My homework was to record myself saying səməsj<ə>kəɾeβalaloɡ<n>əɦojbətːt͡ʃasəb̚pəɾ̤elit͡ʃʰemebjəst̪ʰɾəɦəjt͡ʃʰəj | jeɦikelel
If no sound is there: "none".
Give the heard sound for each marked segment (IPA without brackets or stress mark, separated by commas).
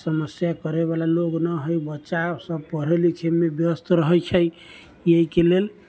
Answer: a, n